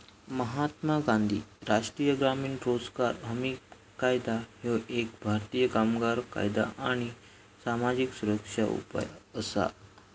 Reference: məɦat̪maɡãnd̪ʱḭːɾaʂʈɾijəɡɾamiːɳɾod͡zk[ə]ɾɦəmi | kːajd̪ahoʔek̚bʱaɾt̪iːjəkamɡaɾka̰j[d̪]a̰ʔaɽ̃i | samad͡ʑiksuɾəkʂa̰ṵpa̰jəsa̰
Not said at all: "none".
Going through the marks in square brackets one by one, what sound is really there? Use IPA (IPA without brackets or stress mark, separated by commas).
a, d̪